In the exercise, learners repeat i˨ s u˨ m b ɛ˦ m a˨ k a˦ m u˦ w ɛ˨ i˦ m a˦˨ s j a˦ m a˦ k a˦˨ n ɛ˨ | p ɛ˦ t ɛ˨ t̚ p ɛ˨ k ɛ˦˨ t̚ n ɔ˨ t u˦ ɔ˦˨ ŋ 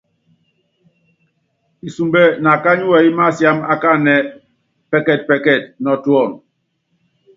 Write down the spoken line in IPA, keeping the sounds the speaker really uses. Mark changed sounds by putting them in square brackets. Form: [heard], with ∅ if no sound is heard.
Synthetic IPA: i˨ s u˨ m b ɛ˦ [n] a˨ k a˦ [ɲ] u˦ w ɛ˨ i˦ m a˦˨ s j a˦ m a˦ k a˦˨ n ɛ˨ | p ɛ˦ [k] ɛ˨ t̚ p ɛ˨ k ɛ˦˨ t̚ n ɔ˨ t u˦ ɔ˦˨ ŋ